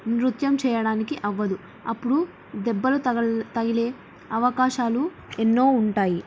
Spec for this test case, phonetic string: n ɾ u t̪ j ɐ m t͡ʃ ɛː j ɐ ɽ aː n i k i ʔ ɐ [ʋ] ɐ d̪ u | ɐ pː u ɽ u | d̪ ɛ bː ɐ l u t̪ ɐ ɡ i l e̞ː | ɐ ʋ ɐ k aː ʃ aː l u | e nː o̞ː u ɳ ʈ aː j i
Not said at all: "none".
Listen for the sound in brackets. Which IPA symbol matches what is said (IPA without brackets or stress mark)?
ʋː